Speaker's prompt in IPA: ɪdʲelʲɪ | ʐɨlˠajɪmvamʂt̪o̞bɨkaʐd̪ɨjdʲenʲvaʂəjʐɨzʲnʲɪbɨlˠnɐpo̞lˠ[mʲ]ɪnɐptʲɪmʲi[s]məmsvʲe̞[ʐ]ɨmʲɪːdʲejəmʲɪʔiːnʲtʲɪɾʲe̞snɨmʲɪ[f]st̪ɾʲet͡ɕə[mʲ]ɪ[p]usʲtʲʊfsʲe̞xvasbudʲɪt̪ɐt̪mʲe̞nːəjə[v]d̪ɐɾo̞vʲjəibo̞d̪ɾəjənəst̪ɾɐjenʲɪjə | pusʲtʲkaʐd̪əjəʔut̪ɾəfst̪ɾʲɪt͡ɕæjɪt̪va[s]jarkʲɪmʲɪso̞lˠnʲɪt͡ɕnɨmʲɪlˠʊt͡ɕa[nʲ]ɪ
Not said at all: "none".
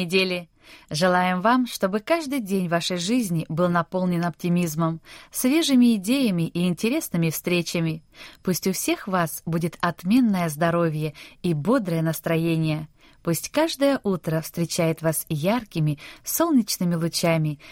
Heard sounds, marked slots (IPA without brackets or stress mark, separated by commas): nʲ, z, ʐ, f, mʲ, p, z, s, mʲ